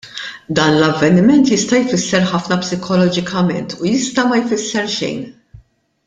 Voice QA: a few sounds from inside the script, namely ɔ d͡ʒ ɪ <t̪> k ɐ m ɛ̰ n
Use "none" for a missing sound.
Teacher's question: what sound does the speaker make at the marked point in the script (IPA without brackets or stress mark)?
none